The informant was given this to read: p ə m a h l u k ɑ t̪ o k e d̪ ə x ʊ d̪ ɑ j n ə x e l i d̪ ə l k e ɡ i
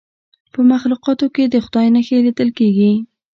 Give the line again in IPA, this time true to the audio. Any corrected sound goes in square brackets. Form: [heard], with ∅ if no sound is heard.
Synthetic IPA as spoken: p ə m a [x] l u [q] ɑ t̪ o k e d̪ ə x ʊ d̪ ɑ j n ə x e l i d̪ ə l k e ɡ i